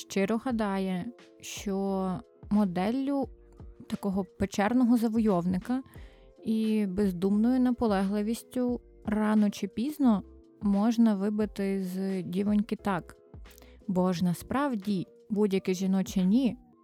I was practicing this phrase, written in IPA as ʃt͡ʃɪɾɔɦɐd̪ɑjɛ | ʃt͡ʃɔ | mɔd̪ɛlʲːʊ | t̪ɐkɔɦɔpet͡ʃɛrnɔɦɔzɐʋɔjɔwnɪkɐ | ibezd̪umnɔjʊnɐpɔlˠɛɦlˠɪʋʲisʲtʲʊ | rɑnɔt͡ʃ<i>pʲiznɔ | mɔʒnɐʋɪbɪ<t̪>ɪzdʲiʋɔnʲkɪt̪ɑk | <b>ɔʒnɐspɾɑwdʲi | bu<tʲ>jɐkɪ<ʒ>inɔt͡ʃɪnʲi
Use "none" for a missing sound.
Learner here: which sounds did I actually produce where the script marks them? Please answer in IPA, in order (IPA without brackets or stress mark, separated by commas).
ɪ, t̪, b, dʲ, ʒ